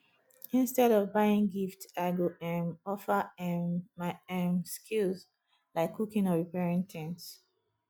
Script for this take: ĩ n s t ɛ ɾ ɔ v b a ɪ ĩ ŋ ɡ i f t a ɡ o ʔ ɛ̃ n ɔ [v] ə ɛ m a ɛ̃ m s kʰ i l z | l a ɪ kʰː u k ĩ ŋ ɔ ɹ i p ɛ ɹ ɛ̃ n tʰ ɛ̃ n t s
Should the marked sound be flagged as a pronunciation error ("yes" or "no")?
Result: yes